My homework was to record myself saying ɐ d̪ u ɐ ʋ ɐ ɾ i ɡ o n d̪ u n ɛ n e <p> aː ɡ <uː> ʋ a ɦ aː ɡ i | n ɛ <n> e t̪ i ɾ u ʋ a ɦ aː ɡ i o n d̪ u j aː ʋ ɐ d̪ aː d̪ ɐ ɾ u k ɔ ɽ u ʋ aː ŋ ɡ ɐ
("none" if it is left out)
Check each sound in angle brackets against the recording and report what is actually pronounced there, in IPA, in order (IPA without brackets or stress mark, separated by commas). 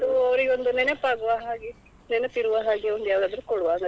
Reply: p, u, n